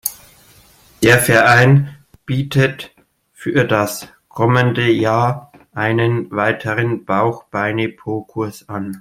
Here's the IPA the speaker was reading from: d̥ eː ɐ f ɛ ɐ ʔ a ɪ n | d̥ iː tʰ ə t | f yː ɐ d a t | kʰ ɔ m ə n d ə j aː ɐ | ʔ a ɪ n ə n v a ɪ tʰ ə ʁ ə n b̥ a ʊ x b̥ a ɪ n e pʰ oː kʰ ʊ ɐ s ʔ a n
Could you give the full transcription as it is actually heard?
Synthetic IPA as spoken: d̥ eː ɐ f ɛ ɐ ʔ a ɪ n | b̥ iː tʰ ə t | f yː ɐ d a s | kʰ ɔ m ə n d ə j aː ɐ | ʔ a ɪ n ə n v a ɪ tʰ ə ʁ ə n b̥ a ʊ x b̥ a ɪ n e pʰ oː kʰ ʊ ɐ s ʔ a n